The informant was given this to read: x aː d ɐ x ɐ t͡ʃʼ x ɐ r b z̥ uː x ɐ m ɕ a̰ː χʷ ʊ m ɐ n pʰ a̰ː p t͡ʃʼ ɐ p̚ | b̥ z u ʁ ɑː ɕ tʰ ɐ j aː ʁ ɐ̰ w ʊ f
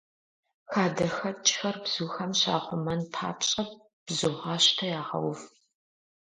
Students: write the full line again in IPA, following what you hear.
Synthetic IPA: x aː d ɐ x ɐ t͡ʃʼ x ɐ r b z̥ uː x ɐ m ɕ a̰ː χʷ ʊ m ɐ n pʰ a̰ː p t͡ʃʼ ɐ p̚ | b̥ z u ʁ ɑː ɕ tʰ ɐ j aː ʁ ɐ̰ w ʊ f

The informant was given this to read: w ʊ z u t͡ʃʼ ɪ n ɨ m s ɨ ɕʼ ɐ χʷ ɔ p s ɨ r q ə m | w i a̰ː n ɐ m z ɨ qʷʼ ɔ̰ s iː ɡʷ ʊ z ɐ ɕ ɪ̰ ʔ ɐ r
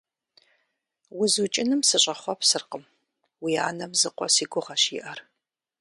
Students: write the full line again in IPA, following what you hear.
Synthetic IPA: w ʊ z u t͡ʃʼ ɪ n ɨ m s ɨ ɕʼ ɐ χʷ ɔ p s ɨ r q ə m | w i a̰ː n ɐ m z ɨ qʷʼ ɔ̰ s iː ɡʷ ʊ ʁ ɐ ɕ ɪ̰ ʔ ɐ r

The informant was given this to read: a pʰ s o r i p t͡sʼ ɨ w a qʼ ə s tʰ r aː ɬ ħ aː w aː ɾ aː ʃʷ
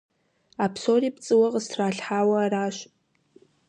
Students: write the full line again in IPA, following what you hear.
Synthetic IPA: a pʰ s o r i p t͡sʼ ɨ w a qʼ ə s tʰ r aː ɬ ħ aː w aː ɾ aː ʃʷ

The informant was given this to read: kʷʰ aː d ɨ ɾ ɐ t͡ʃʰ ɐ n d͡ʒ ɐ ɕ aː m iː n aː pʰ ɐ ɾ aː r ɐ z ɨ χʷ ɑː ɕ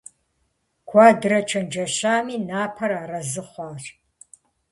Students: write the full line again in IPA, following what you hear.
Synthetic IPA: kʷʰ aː d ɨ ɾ ɐ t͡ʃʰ ɐ n d͡ʒ ɐ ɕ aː m iː n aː pʰ ɐ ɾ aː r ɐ z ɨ χʷ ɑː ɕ

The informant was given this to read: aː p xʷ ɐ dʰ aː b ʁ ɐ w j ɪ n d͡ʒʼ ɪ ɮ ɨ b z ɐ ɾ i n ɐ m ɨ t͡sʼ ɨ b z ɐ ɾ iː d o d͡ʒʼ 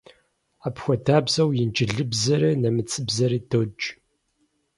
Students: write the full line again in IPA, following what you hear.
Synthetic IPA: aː p xʷ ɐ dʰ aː b z ɐ w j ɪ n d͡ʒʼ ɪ ɮ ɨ b z ɐ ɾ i n ɐ m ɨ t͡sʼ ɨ b z ɐ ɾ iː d o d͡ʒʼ

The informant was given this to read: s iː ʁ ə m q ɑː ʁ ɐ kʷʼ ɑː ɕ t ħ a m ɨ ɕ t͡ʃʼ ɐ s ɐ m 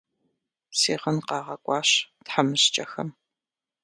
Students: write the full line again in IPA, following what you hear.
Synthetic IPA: s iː ʁ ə n q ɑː ʁ ɐ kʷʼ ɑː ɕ t ħ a m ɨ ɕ t͡ʃʼ ɐ x ɐ m

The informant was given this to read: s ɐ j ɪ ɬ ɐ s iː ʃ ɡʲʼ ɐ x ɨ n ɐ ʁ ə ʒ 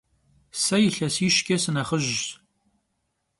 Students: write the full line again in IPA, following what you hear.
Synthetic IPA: s ɐ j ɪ ɬ ɐ s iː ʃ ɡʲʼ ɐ s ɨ n ɐ χ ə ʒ

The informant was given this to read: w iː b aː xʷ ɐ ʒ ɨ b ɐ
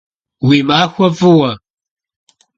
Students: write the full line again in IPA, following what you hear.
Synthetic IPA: w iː m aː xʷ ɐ v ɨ w ɐ

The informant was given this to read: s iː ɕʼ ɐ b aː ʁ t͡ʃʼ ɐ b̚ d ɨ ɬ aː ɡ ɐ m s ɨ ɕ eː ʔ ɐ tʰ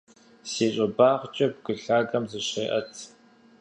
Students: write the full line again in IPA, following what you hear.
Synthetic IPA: s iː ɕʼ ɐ b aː ʁ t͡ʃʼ ɐ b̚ ɡ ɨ ɬ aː ɡ ɐ m z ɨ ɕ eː ʔ ɐ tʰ

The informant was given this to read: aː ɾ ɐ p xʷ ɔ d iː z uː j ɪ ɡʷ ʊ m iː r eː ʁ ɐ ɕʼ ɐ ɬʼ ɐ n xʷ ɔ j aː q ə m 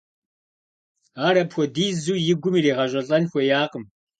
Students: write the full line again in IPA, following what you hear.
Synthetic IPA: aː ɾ ɐ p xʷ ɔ d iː z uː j ɪ ɡʷ ʊ m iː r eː ʁ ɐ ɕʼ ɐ ɬʼ ɐ n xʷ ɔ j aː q ə m

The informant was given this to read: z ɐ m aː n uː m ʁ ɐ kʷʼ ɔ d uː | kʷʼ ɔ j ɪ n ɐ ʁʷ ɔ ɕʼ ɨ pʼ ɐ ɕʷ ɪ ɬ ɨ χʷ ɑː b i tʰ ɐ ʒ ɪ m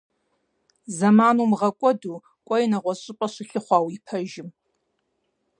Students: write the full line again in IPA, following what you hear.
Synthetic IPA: z ɐ m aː n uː m ʁ ɐ kʷʼ ɔ d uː | kʷʼ ɔ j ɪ n ɐ ʁʷ ɔ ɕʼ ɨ pʼ ɐ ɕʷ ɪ ɬ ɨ χʷ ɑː w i pʰ ɐ ʒ ɪ m

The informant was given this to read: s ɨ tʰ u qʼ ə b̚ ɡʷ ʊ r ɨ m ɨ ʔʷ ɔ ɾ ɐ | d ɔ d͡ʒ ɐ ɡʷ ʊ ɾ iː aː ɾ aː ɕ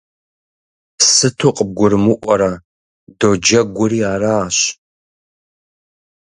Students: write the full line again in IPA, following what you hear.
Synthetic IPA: s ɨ tʰ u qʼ ə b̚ ɡʷ ʊ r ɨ m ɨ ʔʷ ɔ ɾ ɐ | d o d͡ʒ ɐ ɡʷ ʊ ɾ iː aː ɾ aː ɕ

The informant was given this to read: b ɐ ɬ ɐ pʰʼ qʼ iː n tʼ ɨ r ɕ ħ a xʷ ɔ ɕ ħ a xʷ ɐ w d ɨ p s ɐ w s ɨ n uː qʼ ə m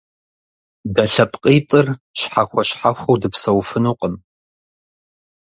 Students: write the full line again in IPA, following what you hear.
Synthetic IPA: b ɐ ɬ ɐ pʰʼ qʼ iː tʼ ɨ r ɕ ħ a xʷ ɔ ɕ ħ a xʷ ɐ w d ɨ p s ɐ w f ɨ n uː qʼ ə m

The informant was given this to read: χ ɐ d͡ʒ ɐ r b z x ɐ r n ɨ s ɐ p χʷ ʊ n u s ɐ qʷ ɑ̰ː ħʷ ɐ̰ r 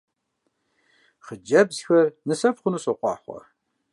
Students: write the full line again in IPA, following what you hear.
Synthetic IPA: χ ə d͡ʒ ɐ b z x ɐ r n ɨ s ɐ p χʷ ʊ n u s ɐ qʷ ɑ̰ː ħʷ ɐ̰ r

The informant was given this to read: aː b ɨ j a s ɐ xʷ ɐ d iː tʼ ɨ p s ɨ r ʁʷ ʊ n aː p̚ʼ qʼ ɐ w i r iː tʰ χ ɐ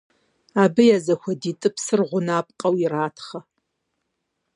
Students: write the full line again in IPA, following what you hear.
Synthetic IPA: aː b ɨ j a z ɐ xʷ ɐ d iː tʼ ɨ p s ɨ r ʁʷ ʊ n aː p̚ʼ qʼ ɐ w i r aː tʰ χ ɐ

